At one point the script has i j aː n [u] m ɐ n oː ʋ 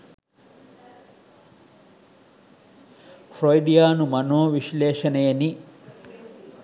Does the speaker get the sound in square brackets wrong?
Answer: no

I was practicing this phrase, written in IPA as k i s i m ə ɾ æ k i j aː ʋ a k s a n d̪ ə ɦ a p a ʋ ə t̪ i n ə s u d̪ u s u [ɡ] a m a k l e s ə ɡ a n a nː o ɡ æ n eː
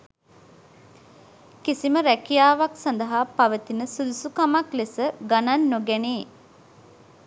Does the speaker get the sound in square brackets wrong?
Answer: yes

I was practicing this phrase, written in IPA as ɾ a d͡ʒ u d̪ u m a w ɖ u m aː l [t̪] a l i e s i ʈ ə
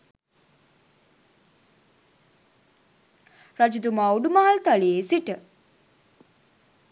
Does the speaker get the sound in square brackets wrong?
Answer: no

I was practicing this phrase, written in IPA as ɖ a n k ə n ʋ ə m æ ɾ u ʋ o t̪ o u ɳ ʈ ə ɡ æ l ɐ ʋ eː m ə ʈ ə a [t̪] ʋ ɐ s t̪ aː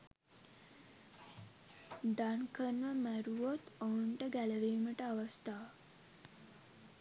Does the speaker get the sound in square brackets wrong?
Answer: yes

